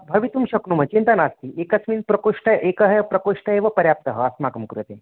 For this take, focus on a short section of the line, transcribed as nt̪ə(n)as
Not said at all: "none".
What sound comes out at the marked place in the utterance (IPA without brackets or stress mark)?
n